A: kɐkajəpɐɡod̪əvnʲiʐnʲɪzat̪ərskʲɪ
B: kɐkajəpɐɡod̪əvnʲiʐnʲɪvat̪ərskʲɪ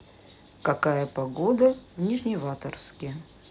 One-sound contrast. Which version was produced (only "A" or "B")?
B